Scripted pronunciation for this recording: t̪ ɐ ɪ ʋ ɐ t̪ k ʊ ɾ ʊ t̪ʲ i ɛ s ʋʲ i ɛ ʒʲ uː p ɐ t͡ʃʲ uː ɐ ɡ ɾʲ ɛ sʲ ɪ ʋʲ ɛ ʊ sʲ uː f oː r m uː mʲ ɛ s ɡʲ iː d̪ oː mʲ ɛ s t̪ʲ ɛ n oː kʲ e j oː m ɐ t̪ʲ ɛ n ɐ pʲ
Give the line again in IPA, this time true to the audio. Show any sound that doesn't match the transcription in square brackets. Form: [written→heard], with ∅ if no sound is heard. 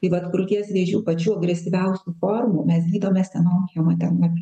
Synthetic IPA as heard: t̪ ɐ ɪ ʋ ɐ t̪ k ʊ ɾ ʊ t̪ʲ i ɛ s ʋʲ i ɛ ʒʲ uː p ɐ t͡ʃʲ uː ɐ ɡ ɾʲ ɛ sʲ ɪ ʋʲ ɛ ʊ sʲ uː f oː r m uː mʲ ɛ s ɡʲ iː d̪ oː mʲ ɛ s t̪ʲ ɛ n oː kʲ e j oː m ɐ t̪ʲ ɛ n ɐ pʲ